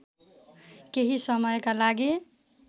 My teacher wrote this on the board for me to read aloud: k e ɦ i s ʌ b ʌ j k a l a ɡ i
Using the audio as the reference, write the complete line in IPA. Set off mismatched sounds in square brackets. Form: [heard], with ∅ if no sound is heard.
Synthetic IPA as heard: k e ɦ i s ʌ [m] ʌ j k a l a ɡ i